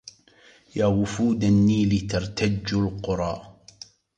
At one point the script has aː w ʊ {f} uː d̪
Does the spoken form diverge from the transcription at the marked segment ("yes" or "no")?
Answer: no